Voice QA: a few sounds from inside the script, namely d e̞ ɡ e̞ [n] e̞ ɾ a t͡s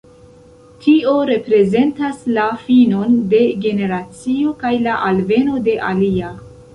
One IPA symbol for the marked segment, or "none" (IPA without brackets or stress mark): n